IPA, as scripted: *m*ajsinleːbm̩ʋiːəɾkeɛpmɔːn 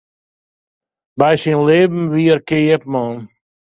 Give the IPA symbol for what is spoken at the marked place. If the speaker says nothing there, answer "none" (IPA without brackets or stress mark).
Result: b